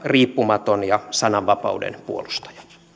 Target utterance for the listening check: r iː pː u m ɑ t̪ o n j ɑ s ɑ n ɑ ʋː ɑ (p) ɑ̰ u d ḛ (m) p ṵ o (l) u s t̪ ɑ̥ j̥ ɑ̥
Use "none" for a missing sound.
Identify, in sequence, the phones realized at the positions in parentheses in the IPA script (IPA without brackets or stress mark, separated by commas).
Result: p, n, l